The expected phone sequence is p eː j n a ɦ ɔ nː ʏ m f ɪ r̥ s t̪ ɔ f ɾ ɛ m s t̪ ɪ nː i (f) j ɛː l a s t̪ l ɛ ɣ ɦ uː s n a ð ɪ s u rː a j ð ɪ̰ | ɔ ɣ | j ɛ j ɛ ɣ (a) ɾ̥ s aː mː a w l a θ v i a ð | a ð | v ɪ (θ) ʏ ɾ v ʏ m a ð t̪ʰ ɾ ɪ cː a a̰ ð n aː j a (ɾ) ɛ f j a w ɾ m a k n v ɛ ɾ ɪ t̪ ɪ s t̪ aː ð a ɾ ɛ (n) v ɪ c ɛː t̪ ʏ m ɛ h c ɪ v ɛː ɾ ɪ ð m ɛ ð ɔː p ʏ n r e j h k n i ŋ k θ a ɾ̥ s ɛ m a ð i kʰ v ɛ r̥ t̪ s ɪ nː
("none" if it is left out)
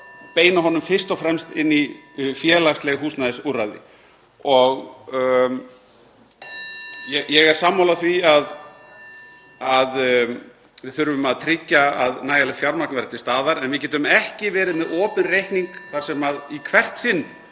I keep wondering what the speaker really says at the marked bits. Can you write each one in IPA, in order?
f, ɛ, θ, l, n

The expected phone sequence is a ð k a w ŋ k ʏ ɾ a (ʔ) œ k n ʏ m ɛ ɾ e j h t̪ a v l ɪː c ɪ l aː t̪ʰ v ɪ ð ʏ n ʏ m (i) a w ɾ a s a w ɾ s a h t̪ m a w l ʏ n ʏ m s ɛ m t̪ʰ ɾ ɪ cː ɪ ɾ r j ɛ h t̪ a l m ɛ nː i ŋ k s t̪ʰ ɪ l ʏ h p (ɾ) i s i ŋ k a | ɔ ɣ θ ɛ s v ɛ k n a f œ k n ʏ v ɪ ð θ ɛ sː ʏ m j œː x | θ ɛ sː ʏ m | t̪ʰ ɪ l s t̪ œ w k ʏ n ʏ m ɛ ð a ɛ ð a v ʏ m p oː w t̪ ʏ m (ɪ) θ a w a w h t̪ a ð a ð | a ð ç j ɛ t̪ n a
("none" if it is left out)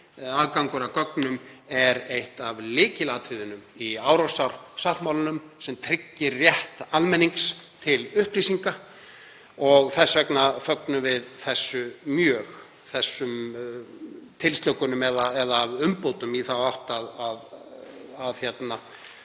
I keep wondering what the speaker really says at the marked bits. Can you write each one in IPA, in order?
k, i, l, i

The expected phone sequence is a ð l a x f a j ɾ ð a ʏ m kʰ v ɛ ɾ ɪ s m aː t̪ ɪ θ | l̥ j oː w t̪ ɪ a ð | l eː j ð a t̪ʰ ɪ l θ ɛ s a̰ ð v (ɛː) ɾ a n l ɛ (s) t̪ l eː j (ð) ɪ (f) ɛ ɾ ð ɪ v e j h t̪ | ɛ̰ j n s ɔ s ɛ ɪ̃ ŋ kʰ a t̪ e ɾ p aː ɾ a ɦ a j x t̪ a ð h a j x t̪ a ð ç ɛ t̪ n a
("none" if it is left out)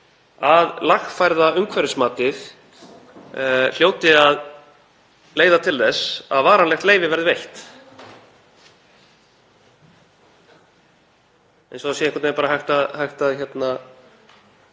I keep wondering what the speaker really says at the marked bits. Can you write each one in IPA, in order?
aː, x, v, v

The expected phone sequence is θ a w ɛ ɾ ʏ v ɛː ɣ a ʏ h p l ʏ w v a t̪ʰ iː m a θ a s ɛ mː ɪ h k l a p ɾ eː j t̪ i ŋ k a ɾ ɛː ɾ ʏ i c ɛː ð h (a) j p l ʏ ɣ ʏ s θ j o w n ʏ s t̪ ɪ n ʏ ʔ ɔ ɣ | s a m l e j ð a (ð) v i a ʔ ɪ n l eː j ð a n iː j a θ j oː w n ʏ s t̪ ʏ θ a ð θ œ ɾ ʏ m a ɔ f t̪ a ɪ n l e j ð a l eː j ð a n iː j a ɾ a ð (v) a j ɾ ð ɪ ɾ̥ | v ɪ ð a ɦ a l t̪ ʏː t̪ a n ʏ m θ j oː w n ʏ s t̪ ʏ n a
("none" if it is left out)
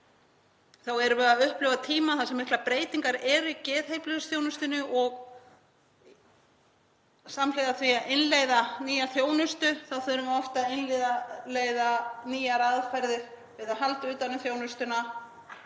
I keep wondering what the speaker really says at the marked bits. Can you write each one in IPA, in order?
e, θ, f

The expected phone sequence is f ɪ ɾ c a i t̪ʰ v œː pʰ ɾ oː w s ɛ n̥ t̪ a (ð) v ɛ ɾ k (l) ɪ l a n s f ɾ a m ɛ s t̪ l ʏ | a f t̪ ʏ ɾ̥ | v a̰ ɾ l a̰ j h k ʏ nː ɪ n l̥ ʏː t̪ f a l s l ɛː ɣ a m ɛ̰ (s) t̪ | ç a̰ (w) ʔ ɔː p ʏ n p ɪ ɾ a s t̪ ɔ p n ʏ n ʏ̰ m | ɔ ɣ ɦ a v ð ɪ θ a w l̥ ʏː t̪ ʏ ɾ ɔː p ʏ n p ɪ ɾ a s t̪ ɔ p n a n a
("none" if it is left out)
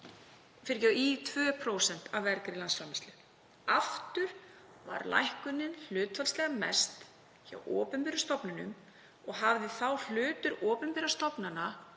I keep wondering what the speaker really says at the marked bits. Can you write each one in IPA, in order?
v, ɾ, s, w

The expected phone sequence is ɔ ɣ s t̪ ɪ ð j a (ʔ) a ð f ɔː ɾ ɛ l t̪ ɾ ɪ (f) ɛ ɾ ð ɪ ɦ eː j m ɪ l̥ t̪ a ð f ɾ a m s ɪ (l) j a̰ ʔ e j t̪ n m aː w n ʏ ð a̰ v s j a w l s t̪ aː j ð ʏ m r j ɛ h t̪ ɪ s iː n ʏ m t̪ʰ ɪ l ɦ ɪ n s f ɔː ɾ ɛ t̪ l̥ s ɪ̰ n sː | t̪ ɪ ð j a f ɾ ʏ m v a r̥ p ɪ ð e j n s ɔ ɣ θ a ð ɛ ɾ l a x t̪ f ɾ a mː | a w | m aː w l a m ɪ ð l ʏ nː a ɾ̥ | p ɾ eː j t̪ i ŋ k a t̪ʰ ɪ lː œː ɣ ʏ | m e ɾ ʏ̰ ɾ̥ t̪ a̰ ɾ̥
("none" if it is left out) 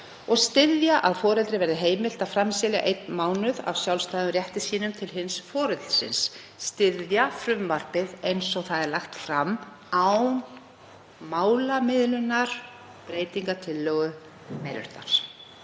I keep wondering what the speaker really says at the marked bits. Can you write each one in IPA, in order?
ʔ, v, l

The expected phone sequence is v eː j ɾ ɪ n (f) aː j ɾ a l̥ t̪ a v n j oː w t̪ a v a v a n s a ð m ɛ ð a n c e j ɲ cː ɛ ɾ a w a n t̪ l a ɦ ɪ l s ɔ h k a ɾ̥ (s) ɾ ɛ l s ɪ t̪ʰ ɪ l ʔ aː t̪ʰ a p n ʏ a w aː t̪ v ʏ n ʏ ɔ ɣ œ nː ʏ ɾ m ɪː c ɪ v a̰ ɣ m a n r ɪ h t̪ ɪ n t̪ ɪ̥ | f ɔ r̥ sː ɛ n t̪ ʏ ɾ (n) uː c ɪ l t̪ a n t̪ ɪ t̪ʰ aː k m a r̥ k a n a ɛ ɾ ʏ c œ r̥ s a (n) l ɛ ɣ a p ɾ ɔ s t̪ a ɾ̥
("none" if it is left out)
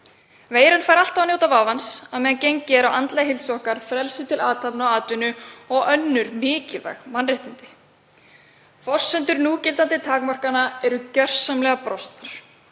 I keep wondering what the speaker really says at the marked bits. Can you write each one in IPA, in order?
f, f, n, m

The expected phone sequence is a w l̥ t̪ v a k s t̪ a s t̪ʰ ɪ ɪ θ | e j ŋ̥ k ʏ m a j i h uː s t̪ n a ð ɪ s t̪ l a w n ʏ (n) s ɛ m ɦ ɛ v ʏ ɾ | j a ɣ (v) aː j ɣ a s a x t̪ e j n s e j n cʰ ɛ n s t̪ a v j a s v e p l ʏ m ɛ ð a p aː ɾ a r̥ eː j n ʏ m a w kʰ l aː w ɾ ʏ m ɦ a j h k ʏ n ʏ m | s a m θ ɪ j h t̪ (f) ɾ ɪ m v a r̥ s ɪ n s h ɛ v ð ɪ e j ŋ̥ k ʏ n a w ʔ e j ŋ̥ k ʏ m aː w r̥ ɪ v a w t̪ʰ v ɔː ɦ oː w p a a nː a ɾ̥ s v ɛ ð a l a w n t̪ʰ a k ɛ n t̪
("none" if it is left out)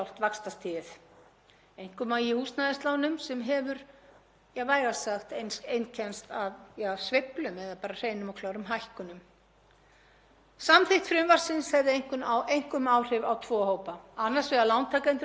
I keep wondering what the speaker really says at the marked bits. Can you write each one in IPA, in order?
m, v, f

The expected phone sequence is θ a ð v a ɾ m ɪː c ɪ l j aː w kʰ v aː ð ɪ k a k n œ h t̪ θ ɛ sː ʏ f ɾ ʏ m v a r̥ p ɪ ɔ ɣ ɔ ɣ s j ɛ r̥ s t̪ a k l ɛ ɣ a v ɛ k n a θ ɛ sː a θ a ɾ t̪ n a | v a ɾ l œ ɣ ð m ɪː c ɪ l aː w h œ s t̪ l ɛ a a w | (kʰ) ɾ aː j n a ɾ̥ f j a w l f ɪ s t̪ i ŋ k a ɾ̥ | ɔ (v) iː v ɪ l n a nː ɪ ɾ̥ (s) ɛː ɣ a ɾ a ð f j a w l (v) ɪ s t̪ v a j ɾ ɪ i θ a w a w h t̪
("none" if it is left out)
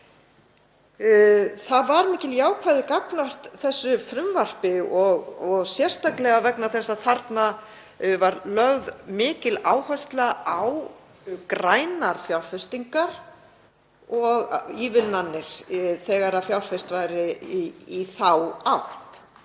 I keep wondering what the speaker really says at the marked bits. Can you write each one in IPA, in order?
k, ɣ, θ, f

